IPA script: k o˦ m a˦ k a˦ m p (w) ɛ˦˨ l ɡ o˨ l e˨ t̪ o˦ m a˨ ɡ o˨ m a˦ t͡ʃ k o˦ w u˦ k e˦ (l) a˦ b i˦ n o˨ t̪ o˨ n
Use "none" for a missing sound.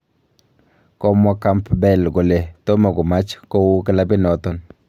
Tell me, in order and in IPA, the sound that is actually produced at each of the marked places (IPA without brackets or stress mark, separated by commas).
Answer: b, l